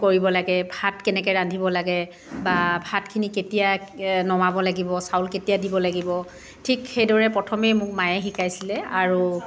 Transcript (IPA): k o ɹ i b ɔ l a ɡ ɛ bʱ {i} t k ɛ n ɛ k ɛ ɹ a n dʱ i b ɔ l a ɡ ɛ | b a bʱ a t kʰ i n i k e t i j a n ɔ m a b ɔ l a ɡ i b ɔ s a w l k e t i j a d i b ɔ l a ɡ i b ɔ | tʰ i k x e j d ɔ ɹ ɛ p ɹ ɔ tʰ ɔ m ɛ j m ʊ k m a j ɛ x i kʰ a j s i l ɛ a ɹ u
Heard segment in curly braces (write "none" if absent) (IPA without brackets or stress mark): a